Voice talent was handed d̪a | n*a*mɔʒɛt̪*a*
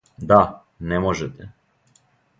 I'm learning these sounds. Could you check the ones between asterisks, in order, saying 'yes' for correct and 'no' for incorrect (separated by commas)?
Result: no, no